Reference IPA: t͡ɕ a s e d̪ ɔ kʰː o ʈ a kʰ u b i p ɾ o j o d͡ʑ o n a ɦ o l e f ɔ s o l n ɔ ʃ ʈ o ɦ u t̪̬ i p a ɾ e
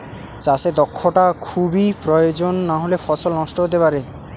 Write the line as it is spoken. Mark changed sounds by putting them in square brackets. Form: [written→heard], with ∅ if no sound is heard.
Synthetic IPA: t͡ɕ a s e d̪ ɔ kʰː o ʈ a kʰ u b i p ɾ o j o d͡ʑ o [n→nː] a ɦ o l e f ɔ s o l n ɔ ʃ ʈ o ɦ [u→o] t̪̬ [i→e] p a ɾ e